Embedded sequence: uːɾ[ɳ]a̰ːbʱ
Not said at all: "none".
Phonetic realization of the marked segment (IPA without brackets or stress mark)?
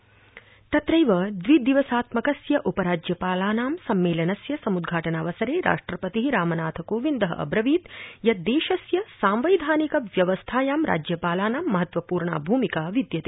ɳ